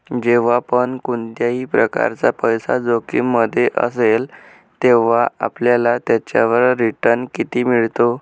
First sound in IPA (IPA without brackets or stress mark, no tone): d͡ʑ